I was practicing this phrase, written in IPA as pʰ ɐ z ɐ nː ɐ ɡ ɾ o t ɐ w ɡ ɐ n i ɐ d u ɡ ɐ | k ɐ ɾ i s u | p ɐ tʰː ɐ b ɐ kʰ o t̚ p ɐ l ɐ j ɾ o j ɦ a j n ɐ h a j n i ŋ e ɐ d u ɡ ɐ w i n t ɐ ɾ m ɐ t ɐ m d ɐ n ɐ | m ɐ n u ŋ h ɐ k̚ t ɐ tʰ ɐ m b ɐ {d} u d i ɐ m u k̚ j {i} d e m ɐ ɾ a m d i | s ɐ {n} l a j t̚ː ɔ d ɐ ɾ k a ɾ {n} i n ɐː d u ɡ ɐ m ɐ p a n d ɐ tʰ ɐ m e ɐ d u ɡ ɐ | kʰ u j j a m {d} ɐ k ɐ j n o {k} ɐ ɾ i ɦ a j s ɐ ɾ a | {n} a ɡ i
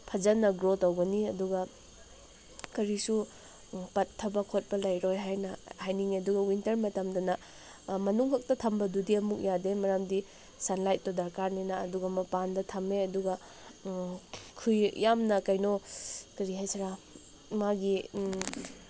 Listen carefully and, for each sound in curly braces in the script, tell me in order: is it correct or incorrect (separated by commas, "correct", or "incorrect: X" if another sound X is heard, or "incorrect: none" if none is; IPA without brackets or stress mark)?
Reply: correct, incorrect: a, correct, correct, incorrect: n, correct, incorrect: m